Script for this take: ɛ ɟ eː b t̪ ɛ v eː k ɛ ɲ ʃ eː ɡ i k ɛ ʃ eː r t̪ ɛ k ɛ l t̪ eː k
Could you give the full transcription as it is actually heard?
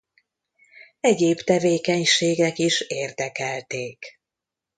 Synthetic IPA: ɛ ɟ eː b t̪ ɛ v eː k ɛ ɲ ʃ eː ɡ ɛ k i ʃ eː r d̪ ɛ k ɛ l t̪ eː k